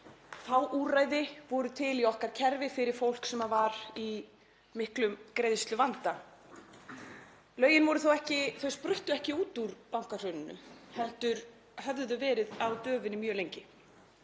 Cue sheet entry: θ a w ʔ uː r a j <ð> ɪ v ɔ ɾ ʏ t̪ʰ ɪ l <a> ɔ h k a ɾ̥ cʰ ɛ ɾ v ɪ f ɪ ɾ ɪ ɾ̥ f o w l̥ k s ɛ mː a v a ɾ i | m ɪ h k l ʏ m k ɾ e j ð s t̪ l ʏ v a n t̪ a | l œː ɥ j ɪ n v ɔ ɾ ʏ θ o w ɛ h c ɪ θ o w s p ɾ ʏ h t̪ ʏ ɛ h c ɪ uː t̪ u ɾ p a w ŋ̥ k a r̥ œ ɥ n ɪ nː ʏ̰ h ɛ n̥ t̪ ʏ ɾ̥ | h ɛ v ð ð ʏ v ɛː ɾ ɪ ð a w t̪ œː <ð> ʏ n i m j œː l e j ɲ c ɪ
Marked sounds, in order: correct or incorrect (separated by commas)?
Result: correct, incorrect, incorrect